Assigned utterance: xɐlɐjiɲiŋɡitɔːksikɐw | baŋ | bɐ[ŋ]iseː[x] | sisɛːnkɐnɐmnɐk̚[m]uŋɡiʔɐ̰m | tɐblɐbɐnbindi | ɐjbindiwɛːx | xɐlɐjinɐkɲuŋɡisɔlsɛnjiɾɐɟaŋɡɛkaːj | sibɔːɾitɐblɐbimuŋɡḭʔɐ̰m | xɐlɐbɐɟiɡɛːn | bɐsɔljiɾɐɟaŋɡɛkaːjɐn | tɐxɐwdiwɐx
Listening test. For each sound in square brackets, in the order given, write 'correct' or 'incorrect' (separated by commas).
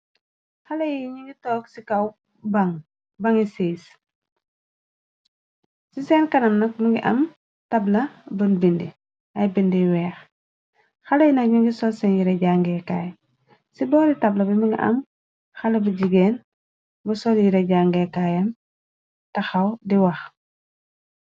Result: correct, incorrect, correct